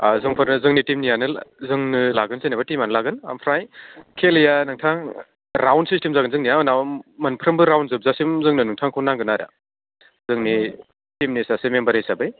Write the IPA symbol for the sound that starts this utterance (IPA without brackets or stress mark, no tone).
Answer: z